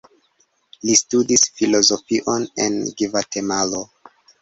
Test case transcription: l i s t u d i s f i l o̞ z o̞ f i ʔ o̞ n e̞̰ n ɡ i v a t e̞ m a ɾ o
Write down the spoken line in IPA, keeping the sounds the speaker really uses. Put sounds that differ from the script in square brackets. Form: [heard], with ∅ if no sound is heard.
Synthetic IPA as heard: l i s t u d i s f i l o̞ z o̞ f i ʔ o̞ n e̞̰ n ɡ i v a t e̞ m a [l] o